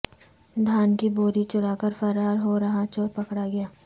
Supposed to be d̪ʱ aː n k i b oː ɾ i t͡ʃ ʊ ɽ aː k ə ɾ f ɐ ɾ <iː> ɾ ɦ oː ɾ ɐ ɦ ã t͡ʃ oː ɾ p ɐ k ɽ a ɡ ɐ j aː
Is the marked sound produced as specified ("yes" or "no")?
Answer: no